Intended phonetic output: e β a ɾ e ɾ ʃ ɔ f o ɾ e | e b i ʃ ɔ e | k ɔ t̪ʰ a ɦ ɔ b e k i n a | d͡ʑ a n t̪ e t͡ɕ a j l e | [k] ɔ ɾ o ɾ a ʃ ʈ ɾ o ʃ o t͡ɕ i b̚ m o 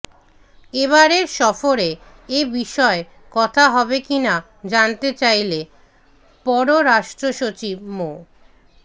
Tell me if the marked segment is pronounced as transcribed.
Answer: no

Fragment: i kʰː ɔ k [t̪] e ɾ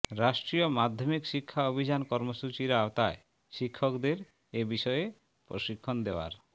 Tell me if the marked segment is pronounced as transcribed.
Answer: no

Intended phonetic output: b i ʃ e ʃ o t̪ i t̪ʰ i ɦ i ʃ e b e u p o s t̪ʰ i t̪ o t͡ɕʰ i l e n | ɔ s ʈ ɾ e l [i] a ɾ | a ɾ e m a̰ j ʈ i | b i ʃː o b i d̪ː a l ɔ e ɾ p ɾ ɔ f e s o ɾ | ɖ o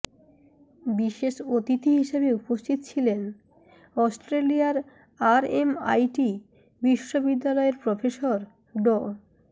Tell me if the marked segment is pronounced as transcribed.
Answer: yes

